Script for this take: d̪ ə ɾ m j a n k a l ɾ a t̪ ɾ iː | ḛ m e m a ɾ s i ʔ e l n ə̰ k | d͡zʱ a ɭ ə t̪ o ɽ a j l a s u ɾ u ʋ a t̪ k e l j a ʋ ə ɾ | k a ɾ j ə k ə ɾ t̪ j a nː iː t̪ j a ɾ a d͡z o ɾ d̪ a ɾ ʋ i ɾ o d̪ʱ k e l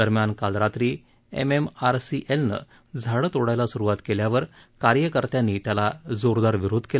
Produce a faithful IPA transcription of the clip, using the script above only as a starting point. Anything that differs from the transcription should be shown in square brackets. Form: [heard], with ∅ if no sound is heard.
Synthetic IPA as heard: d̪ ə ɾ m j a n k a l ɾ a t̪ ɾ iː | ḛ m e m a ɾ s i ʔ e l n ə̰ [∅] | d͡zʱ a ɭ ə t̪ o ɽ a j l a s u ɾ u ʋ a t̪ k e l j a ʋ ə ɾ | k a ɾ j ə k ə ɾ t̪ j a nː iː t̪ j a [l] a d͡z o ɾ d̪ a ɾ ʋ i ɾ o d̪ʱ k e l